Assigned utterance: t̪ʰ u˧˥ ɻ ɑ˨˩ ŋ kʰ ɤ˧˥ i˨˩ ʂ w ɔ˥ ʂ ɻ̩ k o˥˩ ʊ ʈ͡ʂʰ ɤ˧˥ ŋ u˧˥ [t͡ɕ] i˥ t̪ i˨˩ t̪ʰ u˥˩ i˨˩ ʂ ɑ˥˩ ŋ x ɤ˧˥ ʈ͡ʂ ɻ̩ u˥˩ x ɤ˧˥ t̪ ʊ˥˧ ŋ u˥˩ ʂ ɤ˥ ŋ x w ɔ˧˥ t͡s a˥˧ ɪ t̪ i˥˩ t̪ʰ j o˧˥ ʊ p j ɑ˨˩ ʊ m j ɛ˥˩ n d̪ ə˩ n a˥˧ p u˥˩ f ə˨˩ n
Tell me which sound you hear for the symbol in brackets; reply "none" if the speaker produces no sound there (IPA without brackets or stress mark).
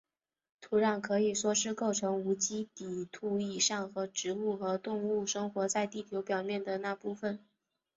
t͡ɕ